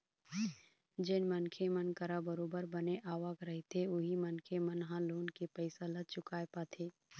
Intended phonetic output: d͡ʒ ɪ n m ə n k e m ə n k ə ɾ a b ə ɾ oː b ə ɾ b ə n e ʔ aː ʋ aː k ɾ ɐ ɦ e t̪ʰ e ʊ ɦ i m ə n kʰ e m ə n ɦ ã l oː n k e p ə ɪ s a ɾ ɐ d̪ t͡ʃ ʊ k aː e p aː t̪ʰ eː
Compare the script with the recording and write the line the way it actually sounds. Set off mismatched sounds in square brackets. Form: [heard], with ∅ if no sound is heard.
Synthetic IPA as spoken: d͡ʒ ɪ n m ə n [kʰ] e m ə n k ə ɾ a b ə ɾ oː b ə ɾ b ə n e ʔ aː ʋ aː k ɾ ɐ ɦ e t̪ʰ e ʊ ɦ i m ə n kʰ e m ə n ɦ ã l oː n k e p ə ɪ s a [l] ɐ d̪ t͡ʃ ʊ k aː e p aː t̪ʰ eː